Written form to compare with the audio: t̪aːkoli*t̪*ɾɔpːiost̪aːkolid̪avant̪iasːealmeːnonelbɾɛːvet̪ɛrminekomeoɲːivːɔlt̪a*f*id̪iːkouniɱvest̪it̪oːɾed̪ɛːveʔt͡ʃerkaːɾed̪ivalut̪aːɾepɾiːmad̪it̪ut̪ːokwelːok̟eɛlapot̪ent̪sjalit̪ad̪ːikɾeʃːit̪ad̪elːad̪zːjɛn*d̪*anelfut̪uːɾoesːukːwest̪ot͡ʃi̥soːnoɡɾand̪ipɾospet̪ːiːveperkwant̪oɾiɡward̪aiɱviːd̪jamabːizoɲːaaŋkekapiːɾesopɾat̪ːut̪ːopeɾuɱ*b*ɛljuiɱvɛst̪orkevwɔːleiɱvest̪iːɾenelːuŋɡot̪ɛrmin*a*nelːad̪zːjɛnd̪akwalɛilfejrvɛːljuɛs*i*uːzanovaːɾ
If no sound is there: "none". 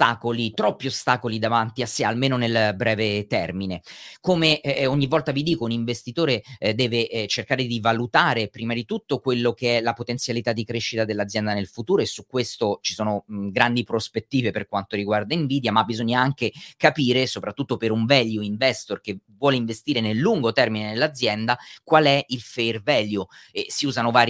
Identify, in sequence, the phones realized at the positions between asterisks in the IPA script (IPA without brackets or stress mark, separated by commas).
t̪, v, d̪, v, e, i